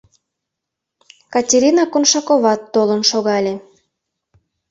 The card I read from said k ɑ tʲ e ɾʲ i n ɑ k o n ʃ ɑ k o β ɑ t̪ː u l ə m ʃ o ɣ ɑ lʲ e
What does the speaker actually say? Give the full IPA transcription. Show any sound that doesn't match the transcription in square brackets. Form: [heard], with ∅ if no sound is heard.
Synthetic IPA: k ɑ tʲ e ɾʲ i n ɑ k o n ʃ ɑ k o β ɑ t̪ː [o] l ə [n] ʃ o ɣ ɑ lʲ e

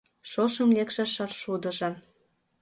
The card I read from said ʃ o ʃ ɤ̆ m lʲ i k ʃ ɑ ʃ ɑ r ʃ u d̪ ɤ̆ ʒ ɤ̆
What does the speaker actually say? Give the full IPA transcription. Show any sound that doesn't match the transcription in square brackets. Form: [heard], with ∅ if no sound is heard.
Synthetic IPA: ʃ o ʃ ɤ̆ m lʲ [e] k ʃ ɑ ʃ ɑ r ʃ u d̪ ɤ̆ ʒ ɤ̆

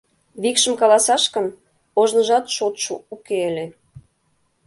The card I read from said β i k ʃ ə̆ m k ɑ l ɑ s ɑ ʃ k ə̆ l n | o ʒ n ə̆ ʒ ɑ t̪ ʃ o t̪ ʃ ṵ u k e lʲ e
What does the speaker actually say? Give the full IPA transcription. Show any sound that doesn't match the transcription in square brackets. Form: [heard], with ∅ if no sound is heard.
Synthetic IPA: β i k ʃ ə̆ m k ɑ l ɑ s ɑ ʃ k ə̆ [∅] n | o ʒ n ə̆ ʒ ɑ t̪ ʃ o t̪ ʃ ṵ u k e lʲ e

